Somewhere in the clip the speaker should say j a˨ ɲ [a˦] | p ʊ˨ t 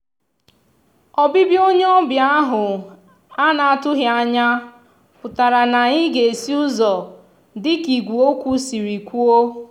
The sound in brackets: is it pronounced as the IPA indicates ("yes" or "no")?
yes